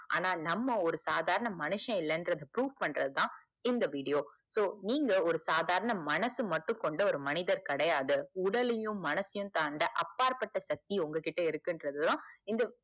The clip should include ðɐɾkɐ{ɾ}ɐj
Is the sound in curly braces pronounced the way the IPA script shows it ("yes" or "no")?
no